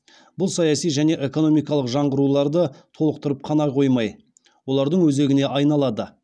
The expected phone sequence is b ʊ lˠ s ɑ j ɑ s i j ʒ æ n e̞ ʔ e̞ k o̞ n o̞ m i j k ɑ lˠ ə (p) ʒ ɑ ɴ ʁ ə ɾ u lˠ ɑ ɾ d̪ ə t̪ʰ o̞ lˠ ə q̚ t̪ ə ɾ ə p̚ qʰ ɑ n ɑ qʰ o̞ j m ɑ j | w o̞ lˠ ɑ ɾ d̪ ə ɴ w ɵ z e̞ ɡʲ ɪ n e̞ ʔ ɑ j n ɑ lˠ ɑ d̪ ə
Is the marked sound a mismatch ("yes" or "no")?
yes